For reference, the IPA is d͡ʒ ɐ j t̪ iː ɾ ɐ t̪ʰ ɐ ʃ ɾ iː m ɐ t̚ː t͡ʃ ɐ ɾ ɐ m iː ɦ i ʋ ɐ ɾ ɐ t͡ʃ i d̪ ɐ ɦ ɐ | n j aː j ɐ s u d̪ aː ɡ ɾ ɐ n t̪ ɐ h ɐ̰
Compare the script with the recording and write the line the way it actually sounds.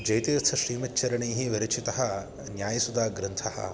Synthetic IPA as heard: d͡ʒ ɐ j t̪ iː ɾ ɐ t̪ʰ ɐ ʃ ɾ iː m ɐ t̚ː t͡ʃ ɐ ɾ ɐ ɳ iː ɦ i ʋ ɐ ɾ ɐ t͡ʃ i t̪ ɐ ɦ ɐ | n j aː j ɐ s u d̪ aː ɡ ɾ ɐ n t̪ʰ ɐ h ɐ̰